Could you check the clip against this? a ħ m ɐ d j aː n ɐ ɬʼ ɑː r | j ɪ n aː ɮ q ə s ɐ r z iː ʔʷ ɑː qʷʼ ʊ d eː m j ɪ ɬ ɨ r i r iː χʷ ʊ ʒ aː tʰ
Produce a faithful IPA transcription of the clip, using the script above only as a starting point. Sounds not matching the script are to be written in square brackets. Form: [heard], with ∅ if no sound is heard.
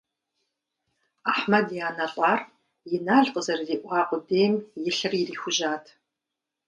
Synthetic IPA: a ħ m ɐ d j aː n ɐ ɬʼ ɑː r | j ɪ n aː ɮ q ə [z] ɐ r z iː ʔʷ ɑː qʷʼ ʊ d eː m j ɪ ɬ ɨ r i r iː [xʷ] ʊ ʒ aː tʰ